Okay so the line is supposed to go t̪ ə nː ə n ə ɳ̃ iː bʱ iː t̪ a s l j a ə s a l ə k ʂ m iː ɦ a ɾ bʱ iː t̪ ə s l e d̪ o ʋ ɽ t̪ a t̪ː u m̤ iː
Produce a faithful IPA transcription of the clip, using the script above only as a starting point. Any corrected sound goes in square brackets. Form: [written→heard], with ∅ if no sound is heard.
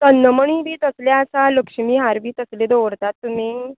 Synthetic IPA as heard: t̪ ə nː ə [n→m] ə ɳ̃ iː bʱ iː t̪ [a→ə] s l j a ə s a l ə k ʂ m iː ɦ a ɾ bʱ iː t̪ ə s l e d̪ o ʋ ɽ t̪ a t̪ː u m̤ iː